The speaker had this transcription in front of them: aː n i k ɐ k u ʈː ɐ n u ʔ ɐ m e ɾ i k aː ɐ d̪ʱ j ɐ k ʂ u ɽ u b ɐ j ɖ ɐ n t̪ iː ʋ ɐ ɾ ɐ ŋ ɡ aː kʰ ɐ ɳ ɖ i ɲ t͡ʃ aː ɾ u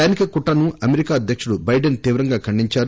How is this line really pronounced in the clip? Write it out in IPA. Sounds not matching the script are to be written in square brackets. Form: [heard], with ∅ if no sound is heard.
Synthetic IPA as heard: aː n i k ɐ k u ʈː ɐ n u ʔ ɐ m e ɾ i k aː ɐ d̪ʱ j ɐ k ʂ u ɽ u b ɐ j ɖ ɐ n t̪ iː ʋ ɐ ɾ ɐ ŋ ɡ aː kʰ ɐ ɳ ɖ i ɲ t͡ʃ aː ɾ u

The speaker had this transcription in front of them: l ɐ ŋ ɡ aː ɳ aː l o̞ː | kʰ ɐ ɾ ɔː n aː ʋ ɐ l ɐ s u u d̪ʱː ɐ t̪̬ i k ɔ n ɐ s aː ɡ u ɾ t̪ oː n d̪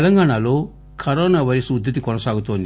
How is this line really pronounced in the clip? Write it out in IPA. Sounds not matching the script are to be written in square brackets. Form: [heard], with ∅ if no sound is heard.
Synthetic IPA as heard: l ɐ ŋ ɡ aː ɳ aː l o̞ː | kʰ ɐ ɾ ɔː n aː ʋ ɐ [ɾ] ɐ s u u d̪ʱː ɐ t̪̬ i k ɔ n ɐ s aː ɡ u [∅] t̪ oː n d̪

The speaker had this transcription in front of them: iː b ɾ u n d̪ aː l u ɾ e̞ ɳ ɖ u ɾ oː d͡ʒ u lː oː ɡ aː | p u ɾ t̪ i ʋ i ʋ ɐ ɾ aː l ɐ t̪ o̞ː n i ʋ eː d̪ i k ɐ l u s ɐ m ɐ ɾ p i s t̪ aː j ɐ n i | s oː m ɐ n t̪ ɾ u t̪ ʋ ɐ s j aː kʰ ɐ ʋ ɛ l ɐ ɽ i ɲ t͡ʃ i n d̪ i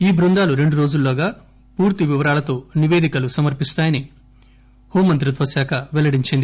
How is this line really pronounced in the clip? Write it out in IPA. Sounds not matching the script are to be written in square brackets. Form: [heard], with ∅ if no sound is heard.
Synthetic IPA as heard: iː b ɾ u n d̪ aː l u ɾ e̞ ɳ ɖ u ɾ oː d͡ʒ u lː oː ɡ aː | p [uː] ɾ t̪ i ʋ i ʋ ɐ ɾ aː l ɐ t̪ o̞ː n i ʋ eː d̪ i k ɐ l u s ɐ m ɐ ɾ p i s t̪ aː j ɐ n i | [h] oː m ɐ n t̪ ɾ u t̪ ʋ ɐ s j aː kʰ ɐ ʋ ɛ l ɐ ɽ i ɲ t͡ʃ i n d̪ i

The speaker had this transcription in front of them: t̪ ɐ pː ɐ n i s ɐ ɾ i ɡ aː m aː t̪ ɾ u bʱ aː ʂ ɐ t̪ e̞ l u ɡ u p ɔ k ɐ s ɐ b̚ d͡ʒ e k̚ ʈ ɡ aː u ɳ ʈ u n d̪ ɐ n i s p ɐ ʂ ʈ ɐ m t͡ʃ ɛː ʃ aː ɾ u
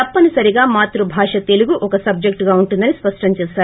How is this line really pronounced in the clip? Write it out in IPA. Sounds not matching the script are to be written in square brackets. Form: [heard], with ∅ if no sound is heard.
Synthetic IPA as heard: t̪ ɐ pː ɐ n i s ɐ ɾ i ɡ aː m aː t̪ ɾ u bʱ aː ʂ ɐ t̪ e̞ l u ɡ u [ʔ] ɔ k ɐ s ɐ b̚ d͡ʒ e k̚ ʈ ɡ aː u ɳ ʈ u n d̪ ɐ n i s p ɐ ʂ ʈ ɐ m t͡ʃ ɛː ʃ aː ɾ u

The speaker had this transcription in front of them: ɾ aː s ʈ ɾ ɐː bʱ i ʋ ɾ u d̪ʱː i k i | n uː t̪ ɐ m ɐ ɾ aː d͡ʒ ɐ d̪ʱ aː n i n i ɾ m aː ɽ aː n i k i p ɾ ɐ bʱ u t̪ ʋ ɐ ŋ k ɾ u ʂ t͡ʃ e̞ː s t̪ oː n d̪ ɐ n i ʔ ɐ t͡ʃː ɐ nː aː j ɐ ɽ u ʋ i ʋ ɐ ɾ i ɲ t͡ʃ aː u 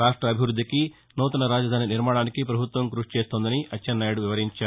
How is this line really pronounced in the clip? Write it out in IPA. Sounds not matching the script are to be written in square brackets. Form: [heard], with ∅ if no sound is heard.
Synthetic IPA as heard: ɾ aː [ʂ] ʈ ɾ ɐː bʱ i ʋ ɾ u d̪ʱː i k i | n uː t̪ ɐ [n] ɐ ɾ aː d͡ʒ ɐ d̪ʱ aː n i n i ɾ m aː ɽ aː n i k i p ɾ ɐ bʱ u t̪ ʋ ɐ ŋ k ɾ u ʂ t͡ʃ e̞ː s t̪ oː n d̪ ɐ n i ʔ ɐ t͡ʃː ɐ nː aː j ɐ ɽ u ʋ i ʋ ɐ ɾ i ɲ t͡ʃ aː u

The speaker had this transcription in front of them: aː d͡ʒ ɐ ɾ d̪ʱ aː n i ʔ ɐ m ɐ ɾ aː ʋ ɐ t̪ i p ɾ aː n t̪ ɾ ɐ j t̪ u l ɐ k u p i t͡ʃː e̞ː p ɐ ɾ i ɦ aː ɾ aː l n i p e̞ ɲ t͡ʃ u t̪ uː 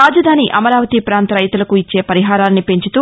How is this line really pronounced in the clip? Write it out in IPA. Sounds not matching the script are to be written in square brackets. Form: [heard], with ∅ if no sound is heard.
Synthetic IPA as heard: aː d͡ʒ ɐ [∅] d̪ʱ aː n i ʔ ɐ m ɐ ɾ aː ʋ ɐ t̪ i p ɾ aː n t̪ ɾ ɐ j t̪ u l ɐ k u [∅] i t͡ʃː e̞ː p ɐ ɾ i ɦ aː ɾ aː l n i p e̞ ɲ t͡ʃ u t̪ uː

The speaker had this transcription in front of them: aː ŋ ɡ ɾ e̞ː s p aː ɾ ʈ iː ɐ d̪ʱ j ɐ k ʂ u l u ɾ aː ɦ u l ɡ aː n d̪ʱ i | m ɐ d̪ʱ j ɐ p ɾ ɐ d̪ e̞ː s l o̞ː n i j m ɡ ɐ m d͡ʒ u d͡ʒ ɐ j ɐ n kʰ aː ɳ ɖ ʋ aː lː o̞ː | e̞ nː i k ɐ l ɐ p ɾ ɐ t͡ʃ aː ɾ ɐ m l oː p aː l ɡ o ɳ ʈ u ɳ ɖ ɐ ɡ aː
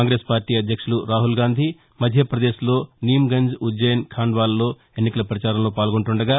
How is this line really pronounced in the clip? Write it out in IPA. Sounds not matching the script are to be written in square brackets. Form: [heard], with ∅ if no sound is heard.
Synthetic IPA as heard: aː ŋ ɡ ɾ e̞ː s p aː ɾ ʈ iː ɐ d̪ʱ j ɐ k ʂ u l u ɾ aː ɦ u l ɡ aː n d̪ʱ i | m ɐ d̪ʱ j ɐ p ɾ ɐ d̪ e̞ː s l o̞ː n i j m ɡ ɐ [ɲ] d͡ʒ u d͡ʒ ɐ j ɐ n kʰ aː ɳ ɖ ʋ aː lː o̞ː | e̞ nː i k ɐ l ɐ p ɾ ɐ t͡ʃ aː ɾ ɐ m l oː p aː l ɡ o ɳ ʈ u ɳ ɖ ɐ ɡ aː

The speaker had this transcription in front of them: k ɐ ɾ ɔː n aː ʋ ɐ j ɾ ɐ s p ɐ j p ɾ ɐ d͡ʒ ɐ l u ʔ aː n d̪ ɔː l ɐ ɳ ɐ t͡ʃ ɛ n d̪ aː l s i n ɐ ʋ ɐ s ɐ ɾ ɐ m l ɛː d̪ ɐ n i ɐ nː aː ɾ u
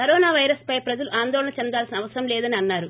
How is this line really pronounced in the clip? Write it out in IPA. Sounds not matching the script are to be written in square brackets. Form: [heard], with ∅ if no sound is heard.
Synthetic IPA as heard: k ɐ ɾ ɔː n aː ʋ ɐ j ɾ ɐ s p ɐ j p ɾ ɐ d͡ʒ ɐ l u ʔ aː n d̪ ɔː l ɐ ɳ ɐ t͡ʃ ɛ n d̪ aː l s i n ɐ ʋ ɐ s ɐ ɾ ɐ m l ɛː d̪ ɐ n i ɐ nː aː ɾ u

